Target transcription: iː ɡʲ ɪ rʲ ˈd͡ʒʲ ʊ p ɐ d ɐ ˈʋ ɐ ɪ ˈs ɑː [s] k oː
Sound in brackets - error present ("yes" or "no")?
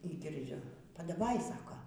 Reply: yes